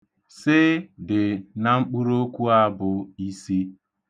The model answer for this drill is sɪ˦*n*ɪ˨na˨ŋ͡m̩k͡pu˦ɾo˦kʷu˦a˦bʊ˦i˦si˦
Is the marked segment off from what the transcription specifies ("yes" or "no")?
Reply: yes